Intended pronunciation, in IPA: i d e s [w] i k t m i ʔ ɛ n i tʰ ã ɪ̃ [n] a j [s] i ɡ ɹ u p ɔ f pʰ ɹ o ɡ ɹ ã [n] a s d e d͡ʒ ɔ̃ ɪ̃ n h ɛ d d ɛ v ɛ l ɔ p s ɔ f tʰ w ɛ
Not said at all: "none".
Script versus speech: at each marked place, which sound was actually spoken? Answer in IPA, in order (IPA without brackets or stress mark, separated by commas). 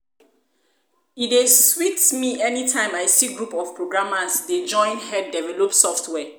w, m, s, m